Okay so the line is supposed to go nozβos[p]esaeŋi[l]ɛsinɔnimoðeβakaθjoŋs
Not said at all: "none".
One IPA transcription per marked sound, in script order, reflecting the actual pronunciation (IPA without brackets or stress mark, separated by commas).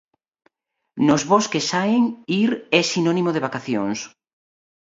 k, ɾ